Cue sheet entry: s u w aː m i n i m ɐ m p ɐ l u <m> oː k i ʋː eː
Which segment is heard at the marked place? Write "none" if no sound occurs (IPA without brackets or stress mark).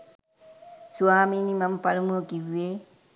m